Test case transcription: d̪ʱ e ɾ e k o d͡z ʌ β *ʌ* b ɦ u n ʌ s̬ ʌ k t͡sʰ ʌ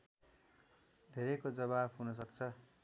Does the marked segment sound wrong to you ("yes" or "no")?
yes